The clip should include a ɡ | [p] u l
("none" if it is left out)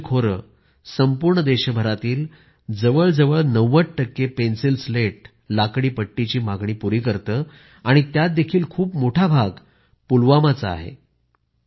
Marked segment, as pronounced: p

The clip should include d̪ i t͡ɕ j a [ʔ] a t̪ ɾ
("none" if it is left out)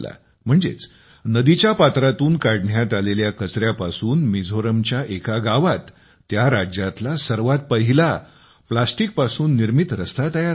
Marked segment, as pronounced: p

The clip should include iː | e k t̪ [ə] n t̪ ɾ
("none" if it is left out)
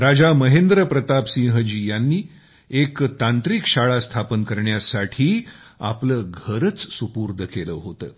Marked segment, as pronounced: a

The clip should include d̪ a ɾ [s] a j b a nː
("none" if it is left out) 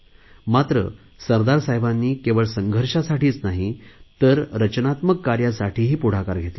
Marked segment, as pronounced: s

